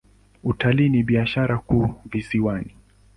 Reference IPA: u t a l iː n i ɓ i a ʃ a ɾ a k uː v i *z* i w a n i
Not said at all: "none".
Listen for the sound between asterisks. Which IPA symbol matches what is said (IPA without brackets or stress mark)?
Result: s